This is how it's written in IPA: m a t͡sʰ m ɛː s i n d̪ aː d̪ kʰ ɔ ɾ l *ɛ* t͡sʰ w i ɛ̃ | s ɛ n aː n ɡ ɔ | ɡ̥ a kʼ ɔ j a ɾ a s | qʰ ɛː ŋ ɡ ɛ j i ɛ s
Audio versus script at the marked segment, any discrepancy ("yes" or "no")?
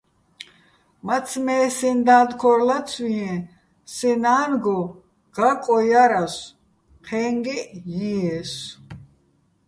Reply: yes